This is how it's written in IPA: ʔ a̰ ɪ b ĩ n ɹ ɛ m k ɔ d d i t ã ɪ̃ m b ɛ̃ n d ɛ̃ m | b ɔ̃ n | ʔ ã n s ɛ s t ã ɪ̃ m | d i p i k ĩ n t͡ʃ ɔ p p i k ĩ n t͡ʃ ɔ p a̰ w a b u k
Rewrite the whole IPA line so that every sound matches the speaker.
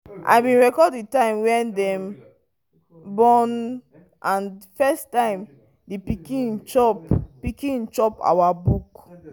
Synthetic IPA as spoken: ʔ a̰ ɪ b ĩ n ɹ ɛ k ɔ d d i t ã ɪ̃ m w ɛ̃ n d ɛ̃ m | b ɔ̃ n | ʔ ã n f ɛ s t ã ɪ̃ m | d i p i k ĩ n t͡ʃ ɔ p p i k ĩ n t͡ʃ ɔ p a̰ w a b u k